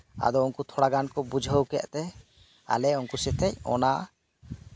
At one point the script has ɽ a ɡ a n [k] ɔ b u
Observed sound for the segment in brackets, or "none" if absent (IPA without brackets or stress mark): k